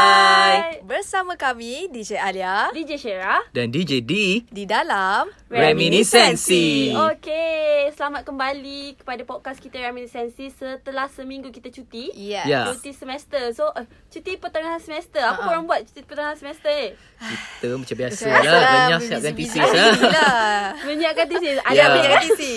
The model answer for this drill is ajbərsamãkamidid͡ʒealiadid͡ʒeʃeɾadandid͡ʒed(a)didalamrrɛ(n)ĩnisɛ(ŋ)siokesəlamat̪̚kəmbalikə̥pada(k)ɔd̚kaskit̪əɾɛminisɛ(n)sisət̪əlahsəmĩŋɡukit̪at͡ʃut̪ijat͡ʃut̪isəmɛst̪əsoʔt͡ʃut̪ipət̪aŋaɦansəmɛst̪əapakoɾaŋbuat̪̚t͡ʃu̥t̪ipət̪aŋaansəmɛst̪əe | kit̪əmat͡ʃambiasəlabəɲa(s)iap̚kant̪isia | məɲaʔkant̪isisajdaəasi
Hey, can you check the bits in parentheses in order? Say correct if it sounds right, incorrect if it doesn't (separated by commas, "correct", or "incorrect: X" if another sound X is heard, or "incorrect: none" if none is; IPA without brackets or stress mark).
incorrect: i, incorrect: m, incorrect: n, incorrect: p, correct, correct